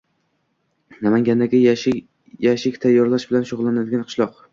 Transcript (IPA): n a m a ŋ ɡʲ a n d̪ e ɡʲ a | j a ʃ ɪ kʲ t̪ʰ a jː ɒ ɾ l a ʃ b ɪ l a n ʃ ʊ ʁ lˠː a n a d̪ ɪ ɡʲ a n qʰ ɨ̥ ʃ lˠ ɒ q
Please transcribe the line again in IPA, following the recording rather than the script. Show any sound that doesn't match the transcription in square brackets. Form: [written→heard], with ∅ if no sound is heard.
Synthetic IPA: n a m a ŋ ɡʲ a n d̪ [e→a] ɡʲ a | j a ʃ ɪ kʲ t̪ʰ a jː ɒ ɾ l a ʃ b ɪ l a n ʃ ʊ ʁ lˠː a n a d̪ ɪ ɡʲ a n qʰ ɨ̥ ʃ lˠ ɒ q